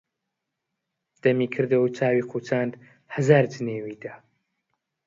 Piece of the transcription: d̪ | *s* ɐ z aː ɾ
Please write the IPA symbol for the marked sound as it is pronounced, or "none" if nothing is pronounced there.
h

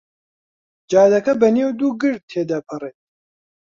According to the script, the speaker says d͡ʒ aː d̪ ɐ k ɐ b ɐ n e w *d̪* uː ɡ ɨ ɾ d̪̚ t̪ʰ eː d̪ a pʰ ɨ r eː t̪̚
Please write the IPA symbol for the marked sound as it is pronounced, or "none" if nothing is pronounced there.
d̪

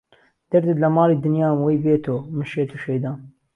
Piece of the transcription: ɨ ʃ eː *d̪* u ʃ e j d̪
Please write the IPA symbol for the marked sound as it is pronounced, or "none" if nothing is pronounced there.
t̪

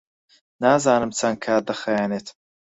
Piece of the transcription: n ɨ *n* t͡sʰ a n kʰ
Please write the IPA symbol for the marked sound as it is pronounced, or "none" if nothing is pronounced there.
m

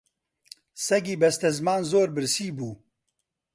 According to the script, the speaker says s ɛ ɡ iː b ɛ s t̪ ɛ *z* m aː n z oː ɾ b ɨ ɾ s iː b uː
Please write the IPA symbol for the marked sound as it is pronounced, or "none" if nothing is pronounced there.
z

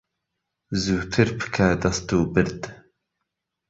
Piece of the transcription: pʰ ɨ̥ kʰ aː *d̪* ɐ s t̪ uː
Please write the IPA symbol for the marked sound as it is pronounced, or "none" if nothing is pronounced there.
d̪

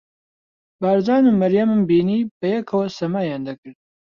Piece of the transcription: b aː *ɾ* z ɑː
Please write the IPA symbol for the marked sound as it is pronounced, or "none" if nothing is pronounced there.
ɾ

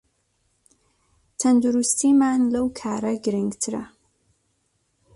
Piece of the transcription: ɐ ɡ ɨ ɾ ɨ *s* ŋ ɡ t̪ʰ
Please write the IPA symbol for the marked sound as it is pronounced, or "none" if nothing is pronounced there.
none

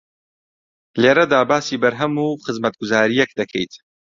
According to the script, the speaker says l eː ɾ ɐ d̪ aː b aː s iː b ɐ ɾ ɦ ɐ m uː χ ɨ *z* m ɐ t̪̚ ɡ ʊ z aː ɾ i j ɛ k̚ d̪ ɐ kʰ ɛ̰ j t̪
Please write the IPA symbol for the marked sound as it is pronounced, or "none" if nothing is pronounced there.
z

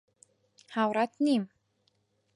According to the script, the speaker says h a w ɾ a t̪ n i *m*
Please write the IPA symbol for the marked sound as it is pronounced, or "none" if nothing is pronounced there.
m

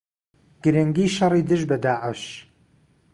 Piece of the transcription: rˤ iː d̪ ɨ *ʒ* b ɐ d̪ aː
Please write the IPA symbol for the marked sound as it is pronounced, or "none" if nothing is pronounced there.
ʒ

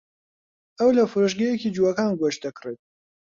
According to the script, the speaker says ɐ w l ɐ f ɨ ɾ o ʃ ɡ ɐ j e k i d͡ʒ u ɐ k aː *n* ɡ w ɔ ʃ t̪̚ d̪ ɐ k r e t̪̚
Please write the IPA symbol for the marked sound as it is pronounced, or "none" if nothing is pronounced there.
n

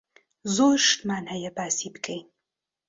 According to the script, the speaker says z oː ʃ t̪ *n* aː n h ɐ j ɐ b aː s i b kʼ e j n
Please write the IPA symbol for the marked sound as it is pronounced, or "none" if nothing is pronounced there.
m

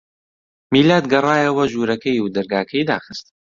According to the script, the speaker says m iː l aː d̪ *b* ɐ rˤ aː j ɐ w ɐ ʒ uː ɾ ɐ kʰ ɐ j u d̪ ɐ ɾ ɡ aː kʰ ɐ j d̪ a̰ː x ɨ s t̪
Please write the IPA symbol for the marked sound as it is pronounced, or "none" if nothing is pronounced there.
ɡ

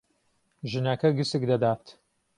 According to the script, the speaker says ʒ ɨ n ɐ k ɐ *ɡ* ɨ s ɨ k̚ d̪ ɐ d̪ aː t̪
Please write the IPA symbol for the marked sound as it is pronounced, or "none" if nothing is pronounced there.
ɡ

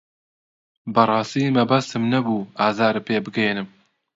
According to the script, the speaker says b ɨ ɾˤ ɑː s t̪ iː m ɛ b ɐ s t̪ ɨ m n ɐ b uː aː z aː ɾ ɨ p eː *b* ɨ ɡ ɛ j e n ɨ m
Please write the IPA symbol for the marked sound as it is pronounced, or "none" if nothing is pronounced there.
b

